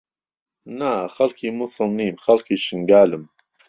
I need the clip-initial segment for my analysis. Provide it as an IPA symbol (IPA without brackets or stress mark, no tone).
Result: n